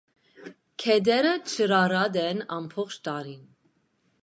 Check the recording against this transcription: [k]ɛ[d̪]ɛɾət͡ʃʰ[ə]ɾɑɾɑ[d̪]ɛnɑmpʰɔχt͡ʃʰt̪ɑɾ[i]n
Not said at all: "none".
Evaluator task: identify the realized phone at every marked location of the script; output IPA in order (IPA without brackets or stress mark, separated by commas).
kʰ, d̪, ə, d̪, i